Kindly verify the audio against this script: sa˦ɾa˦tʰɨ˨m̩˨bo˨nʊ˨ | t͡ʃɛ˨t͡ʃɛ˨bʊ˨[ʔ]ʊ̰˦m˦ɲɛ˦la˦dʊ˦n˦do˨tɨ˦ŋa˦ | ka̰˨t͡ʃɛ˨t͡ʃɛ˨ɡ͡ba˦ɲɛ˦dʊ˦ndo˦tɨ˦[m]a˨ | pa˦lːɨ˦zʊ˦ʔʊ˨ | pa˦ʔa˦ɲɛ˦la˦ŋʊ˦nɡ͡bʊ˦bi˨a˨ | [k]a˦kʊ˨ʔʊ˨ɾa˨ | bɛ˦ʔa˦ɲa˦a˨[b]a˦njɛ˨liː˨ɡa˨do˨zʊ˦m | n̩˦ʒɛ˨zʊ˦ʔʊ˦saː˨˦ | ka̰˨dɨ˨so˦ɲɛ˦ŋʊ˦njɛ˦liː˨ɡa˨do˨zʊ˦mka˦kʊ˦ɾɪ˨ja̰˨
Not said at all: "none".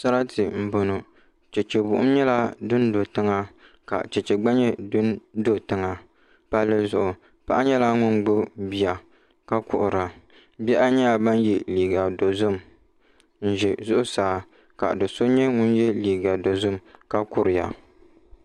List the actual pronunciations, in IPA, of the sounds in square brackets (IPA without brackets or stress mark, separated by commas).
ʔ, ŋ, k, b